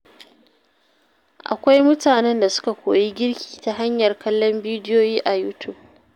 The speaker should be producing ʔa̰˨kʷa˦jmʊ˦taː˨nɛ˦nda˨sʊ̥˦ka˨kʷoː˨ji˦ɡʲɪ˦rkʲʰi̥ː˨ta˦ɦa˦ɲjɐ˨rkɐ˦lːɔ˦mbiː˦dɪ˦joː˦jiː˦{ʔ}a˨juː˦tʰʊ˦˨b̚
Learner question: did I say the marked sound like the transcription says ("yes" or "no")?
yes